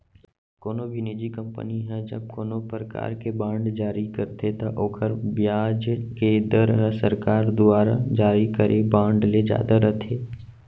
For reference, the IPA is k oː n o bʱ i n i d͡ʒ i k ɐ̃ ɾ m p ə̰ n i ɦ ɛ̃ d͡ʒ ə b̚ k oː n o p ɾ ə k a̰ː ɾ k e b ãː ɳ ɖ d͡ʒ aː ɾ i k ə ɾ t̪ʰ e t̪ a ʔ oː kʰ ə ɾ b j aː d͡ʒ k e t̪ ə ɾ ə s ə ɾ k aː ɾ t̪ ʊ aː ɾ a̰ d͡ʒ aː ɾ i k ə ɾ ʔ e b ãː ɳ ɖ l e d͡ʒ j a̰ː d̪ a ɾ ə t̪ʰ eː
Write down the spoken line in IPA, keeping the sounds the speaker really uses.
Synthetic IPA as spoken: k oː n o bʱ i n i d͡ʒ i k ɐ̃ m p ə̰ n i ɦ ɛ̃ d͡ʒ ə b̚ k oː n o p ɾ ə k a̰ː ɾ k e b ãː ɳ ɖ d͡ʒ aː ɾ i k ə ɾ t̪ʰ e t̪ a ʔ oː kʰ ə ɾ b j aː d͡ʒ k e d̪ ə ɾ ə s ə ɾ k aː ɾ d̪ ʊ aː ɾ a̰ d͡ʒ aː ɾ i k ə ɾ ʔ e b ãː ɳ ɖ l e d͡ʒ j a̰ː d̪ a ɾ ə t̪ʰ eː